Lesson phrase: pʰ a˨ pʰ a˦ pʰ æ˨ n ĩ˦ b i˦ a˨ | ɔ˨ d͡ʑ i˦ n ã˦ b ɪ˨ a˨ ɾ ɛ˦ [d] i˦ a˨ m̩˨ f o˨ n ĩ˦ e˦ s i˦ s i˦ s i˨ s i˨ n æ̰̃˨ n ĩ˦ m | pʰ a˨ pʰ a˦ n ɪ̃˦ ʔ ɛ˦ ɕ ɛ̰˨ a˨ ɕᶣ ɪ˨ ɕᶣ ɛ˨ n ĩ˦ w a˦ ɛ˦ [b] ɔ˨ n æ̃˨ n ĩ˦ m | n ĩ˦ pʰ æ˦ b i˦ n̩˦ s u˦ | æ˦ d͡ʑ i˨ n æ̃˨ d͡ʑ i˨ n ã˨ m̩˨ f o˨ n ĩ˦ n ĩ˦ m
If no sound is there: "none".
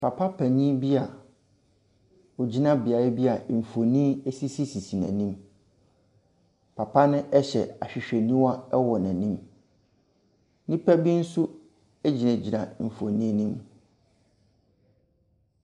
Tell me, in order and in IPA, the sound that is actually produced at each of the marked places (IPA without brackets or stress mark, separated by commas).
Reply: b, w